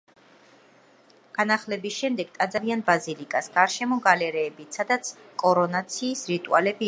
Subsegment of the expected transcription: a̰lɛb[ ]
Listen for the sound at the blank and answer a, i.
i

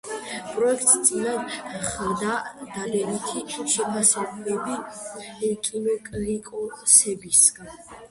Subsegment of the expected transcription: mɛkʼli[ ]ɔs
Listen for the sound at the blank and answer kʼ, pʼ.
kʼ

